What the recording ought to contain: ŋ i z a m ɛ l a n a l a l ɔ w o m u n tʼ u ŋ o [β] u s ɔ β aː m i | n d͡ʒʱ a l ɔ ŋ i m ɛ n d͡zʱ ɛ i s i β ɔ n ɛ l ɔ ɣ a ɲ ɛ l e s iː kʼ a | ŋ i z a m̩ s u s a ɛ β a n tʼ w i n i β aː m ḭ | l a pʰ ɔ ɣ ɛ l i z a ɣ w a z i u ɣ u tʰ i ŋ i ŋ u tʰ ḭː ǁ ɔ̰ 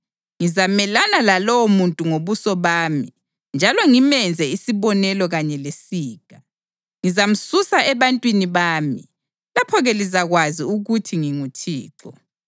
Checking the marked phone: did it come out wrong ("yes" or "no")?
no